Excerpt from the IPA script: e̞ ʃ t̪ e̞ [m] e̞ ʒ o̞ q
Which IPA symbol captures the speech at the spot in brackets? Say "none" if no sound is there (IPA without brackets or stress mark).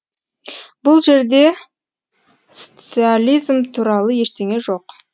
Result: ŋ